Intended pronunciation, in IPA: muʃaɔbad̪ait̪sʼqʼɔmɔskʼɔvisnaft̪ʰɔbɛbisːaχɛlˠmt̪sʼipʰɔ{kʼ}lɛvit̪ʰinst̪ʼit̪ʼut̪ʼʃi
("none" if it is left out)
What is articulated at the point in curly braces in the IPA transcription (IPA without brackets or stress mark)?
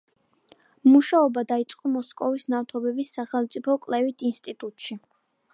kʼ